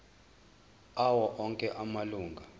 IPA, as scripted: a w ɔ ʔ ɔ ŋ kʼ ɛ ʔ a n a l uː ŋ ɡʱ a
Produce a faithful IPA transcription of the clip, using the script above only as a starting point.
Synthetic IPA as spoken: a w ɔ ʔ ɔ ŋ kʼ ɛ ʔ a m a l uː ŋ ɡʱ a